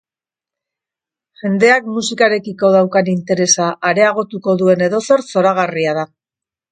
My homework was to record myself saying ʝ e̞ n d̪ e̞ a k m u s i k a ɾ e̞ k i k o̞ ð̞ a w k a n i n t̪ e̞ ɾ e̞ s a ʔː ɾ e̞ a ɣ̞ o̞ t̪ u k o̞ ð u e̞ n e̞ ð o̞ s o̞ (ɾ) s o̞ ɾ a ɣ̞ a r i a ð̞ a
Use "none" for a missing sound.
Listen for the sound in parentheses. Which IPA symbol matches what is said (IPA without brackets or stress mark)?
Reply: ɾ